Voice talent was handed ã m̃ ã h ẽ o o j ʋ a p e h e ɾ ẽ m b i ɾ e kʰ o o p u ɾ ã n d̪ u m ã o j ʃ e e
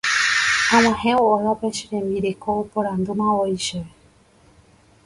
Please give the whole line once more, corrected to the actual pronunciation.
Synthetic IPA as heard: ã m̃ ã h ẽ o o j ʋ a p e ʃ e ɾ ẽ m b i ɾ e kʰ o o p o ɾ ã n d̪ u m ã o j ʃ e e